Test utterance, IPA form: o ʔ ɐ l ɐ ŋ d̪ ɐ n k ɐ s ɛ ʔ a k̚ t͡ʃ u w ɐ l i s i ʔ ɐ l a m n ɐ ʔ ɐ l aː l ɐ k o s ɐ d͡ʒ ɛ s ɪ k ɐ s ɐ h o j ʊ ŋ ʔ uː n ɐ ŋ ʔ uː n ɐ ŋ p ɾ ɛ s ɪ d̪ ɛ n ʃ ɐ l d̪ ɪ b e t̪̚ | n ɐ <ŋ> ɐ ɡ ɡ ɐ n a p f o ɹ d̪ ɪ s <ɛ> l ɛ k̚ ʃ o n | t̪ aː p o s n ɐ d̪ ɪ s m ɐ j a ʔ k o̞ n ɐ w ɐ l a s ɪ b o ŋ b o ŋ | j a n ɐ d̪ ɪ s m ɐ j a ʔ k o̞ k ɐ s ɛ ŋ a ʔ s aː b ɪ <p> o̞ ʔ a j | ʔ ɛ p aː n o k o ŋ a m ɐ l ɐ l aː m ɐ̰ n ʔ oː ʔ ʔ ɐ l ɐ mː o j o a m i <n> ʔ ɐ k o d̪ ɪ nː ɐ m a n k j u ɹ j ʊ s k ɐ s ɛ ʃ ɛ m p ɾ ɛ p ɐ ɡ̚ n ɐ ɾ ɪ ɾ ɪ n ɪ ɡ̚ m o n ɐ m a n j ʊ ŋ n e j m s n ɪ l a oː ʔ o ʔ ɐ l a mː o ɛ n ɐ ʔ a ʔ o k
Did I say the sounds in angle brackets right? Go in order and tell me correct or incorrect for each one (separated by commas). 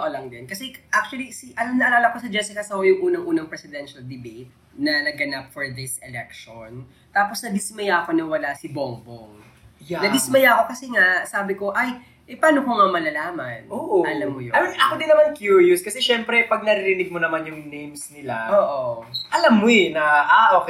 incorrect, correct, incorrect, correct